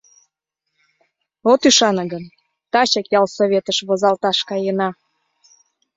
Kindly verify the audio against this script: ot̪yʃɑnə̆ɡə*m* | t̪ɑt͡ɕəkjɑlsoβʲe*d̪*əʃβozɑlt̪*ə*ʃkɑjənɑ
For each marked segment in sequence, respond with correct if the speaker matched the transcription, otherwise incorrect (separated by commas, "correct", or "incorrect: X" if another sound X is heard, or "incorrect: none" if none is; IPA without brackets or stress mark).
incorrect: n, incorrect: t̪, incorrect: ɑ